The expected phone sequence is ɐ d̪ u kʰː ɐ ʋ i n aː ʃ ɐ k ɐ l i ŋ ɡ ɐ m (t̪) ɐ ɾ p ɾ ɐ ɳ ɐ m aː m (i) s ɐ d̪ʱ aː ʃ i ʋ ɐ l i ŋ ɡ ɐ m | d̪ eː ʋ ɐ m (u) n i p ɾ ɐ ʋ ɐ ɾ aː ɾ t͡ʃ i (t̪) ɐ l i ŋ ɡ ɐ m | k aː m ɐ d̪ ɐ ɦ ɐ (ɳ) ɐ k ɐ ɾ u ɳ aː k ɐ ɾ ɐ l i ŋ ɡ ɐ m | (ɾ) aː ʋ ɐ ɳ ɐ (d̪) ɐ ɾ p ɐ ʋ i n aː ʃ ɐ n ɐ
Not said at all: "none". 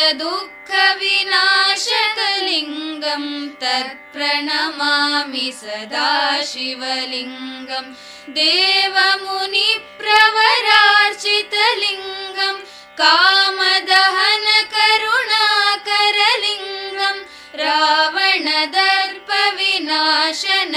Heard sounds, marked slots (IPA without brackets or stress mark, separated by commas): t̪, i, u, t̪, n, ɾ, d̪